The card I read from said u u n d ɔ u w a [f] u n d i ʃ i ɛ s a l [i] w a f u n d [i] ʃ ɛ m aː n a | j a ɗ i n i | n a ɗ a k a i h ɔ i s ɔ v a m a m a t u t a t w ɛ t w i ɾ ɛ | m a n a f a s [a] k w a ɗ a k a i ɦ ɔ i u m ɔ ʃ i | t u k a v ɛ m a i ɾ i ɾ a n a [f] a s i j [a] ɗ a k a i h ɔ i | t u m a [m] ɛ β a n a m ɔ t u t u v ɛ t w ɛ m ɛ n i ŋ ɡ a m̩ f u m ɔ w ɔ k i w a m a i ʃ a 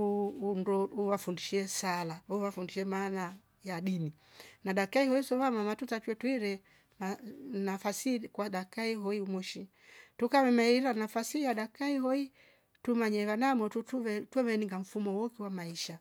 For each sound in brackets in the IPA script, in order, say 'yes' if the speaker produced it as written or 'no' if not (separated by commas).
yes, no, yes, no, yes, yes, no